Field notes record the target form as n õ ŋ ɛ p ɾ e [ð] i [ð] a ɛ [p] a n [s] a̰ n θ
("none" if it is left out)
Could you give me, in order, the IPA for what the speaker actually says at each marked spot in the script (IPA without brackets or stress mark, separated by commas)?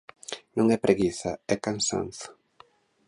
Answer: ɣ, θ, k, s